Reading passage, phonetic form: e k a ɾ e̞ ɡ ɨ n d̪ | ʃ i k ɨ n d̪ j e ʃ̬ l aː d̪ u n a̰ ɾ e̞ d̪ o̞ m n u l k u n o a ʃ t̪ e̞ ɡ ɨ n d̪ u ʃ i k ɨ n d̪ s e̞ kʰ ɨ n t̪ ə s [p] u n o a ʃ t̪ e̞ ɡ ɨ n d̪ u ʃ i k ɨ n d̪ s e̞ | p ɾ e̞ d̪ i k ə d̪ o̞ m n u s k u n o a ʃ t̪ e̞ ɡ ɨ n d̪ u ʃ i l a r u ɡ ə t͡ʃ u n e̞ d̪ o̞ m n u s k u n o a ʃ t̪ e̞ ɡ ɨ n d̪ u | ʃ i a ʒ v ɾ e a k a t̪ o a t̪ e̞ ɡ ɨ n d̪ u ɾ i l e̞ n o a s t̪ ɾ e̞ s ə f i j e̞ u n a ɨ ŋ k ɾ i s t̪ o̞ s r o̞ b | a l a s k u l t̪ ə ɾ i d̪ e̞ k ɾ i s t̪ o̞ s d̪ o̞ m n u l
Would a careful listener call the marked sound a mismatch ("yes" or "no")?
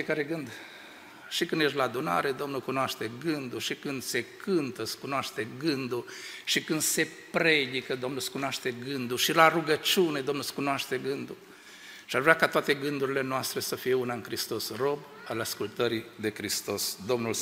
yes